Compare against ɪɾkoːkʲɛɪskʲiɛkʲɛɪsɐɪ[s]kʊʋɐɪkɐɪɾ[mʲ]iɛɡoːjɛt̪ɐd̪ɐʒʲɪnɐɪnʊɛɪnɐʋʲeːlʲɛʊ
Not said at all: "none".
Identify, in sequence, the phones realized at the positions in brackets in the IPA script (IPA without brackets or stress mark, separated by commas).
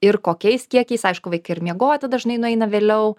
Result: ʃ, mʲ